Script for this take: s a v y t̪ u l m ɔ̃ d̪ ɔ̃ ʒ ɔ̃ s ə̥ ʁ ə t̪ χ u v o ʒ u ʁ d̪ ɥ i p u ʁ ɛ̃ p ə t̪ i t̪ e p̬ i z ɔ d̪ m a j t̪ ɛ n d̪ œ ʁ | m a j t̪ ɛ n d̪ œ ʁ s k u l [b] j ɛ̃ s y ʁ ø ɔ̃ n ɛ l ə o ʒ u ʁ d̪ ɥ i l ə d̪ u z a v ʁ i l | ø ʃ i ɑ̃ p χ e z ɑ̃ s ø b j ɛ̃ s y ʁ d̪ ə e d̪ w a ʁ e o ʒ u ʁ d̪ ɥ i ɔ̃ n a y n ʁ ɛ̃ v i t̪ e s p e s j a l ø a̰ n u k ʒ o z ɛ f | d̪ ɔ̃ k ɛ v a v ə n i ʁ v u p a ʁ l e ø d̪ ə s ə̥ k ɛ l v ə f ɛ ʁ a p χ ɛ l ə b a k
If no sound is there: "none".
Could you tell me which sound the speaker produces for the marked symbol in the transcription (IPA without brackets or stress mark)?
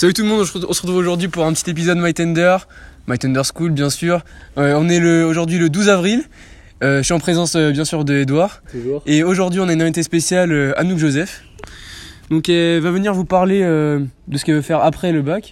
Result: b